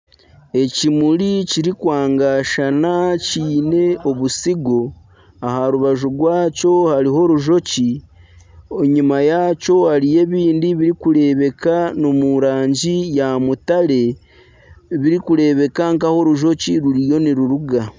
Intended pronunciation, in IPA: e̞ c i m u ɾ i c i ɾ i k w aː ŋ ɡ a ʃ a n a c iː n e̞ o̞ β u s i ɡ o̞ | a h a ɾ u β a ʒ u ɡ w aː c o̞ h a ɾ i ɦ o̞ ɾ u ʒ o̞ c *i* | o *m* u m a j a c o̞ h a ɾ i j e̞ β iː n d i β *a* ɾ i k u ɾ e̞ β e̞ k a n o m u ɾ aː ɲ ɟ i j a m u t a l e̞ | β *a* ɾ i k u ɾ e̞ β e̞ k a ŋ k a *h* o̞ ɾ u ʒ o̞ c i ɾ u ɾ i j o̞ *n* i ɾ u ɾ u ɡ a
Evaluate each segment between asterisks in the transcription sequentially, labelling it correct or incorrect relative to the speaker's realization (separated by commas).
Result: correct, incorrect, incorrect, incorrect, correct, correct